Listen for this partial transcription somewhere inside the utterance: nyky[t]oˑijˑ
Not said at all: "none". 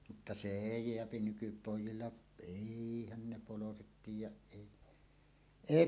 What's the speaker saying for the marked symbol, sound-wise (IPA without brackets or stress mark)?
p